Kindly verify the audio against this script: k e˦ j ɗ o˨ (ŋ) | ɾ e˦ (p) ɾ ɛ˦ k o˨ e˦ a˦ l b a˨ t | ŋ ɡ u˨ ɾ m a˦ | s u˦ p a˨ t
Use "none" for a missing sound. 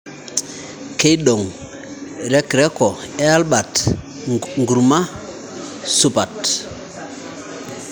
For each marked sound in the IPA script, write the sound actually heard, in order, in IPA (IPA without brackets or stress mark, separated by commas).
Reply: ŋ, k